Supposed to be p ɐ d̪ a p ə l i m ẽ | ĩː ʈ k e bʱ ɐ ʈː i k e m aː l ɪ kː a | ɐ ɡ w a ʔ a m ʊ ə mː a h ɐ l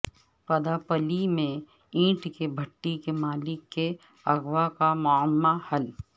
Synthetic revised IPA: p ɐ d̪ a p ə l i m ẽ | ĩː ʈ k e bʱ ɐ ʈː i k e m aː l ɪ kː e | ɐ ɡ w a k a m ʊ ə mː a h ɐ l